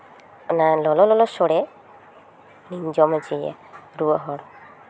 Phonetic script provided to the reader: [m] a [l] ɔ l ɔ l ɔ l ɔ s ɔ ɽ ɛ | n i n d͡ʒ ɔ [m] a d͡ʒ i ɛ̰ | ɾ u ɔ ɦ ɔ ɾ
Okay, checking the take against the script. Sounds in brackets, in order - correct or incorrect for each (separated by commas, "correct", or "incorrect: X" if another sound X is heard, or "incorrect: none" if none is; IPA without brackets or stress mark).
incorrect: n, correct, correct